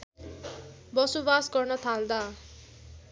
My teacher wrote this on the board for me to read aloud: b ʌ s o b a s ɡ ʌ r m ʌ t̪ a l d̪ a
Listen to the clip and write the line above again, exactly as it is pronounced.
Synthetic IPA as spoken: b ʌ s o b a s ɡ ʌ r n ʌ t̪ʰ a l d̪ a